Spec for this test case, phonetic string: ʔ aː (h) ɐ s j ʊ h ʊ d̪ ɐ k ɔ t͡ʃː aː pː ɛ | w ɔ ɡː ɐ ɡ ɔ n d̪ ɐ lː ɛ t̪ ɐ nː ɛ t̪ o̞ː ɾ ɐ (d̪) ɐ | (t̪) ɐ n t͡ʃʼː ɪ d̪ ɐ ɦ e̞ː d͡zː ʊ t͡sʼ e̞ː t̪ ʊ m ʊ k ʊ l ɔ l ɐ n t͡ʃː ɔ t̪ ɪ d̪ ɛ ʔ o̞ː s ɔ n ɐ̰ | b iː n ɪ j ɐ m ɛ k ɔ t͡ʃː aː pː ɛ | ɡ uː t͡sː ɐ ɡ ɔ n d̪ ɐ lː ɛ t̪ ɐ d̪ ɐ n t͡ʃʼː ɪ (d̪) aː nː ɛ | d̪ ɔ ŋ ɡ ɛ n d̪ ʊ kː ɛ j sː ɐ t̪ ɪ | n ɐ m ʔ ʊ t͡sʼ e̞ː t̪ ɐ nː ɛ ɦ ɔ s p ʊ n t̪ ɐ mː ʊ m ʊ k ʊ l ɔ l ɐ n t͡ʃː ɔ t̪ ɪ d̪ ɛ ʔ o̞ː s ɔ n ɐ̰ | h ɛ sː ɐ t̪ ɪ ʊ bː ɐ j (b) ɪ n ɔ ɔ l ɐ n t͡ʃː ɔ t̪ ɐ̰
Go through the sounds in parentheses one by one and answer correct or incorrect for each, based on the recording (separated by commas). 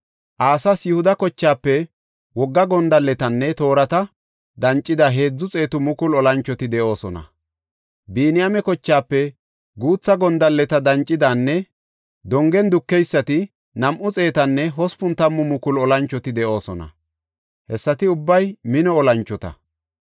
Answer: incorrect, incorrect, incorrect, correct, incorrect